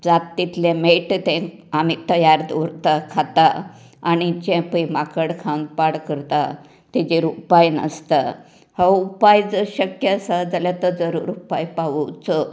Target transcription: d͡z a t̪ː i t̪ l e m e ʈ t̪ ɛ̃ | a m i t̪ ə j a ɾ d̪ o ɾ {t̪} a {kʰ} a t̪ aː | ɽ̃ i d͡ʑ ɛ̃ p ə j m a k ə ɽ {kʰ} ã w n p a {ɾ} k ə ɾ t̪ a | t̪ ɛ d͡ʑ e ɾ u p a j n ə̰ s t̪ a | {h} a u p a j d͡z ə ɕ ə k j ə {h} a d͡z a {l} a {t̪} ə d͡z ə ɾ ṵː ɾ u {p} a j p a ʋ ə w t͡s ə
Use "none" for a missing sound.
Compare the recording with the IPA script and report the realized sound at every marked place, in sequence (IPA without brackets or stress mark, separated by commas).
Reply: t̪, kʰ, kʰ, ɽ, h, s, l, t̪, p